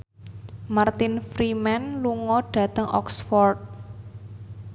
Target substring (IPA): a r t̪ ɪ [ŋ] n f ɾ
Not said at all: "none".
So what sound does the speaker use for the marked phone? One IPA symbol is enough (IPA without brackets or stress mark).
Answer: none